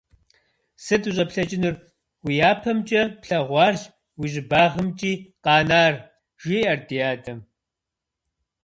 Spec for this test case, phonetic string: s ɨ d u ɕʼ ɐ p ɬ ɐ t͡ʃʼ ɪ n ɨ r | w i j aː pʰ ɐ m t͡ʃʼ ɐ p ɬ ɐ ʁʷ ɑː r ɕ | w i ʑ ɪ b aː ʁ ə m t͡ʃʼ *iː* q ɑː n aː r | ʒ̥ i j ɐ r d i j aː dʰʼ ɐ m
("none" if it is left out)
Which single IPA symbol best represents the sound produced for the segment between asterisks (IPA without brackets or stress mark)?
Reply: iː